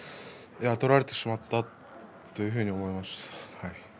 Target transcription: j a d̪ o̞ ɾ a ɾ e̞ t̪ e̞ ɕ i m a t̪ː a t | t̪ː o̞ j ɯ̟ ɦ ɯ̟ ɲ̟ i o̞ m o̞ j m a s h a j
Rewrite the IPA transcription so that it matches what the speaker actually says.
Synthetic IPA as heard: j a t̪ o̞ ɾ a ɾ e̞ t̪ e̞ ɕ i m a t̪ː a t | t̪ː o̞ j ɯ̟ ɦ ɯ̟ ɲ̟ i o̞ m o̞ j m a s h a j